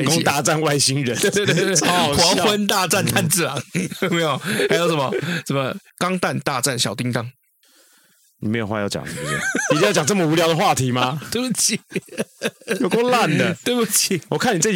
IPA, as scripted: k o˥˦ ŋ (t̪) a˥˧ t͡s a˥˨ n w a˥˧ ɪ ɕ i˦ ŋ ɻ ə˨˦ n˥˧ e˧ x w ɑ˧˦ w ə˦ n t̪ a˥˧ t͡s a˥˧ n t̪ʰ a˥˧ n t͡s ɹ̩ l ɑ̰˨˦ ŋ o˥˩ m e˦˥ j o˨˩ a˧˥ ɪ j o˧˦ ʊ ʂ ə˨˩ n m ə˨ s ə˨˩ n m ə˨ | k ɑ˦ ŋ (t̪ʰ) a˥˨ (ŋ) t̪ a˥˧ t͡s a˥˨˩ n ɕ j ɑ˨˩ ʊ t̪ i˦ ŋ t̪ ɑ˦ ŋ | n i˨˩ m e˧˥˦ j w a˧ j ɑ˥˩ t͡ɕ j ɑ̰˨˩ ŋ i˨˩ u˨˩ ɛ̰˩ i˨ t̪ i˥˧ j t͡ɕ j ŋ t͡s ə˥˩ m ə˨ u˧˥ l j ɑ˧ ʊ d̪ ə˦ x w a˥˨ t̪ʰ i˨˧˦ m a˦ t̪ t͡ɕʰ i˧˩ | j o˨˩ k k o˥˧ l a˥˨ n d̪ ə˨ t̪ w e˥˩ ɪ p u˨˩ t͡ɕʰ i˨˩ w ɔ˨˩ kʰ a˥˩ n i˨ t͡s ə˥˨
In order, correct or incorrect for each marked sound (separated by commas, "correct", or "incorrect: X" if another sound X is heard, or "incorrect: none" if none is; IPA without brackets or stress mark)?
correct, incorrect: t̪, incorrect: n